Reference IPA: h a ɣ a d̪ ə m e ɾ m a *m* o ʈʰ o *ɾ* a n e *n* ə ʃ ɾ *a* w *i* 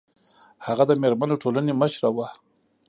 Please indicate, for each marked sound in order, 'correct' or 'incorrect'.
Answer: incorrect: n, incorrect: l, incorrect: m, correct, incorrect: a

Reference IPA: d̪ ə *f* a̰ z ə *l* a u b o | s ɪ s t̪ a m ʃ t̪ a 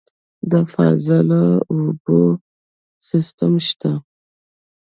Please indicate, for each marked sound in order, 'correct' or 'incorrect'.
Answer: correct, correct

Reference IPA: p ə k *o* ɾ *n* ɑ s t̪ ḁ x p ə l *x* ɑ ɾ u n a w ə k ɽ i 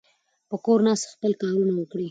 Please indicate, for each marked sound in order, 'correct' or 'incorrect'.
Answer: correct, correct, incorrect: k

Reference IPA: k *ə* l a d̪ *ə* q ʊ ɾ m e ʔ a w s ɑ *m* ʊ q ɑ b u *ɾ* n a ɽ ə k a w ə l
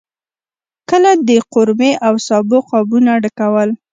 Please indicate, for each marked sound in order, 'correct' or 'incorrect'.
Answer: correct, correct, incorrect: b, incorrect: none

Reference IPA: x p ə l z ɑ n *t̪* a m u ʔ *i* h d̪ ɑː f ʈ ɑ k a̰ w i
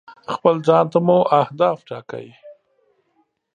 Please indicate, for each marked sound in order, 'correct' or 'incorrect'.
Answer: correct, incorrect: a

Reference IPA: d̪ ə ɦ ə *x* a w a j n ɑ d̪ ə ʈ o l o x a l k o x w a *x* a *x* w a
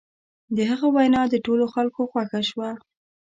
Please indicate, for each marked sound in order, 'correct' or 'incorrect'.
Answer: incorrect: ɣ, correct, incorrect: ʃ

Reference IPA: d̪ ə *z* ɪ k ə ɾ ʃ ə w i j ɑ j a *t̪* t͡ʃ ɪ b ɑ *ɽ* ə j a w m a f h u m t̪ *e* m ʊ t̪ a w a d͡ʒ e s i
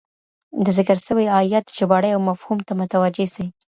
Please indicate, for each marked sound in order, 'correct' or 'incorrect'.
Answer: correct, correct, correct, incorrect: a

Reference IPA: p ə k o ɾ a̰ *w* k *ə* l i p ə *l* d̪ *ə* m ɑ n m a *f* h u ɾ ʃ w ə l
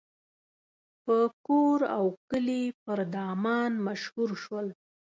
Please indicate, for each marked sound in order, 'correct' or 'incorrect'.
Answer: correct, correct, incorrect: ɾ, incorrect: ɑ, incorrect: ʃ

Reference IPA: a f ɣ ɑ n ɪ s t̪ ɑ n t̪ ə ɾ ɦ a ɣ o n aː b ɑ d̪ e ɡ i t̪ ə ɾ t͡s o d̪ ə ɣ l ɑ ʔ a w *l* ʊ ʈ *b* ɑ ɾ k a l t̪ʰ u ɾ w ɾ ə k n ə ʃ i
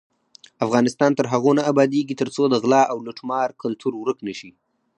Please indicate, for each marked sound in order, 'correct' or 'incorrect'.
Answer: correct, incorrect: m

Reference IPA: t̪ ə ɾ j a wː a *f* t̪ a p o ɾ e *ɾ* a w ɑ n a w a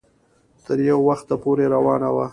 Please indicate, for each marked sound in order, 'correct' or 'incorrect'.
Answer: incorrect: x, correct

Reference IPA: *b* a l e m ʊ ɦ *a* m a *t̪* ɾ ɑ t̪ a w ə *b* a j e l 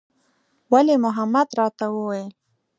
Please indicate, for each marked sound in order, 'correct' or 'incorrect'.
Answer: incorrect: w, correct, incorrect: d̪, incorrect: w

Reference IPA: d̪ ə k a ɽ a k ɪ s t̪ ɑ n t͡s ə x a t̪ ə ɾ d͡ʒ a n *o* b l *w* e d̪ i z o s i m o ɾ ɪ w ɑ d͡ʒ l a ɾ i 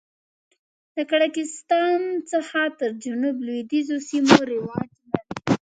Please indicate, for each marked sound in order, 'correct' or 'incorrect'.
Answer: incorrect: u, correct

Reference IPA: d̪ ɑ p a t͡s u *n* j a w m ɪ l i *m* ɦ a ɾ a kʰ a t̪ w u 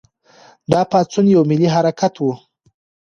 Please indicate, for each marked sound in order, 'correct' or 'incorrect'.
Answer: correct, incorrect: none

